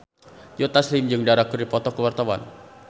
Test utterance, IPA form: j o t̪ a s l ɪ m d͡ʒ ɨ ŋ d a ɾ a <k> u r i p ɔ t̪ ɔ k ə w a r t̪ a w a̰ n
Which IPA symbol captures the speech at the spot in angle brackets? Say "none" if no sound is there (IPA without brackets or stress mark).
k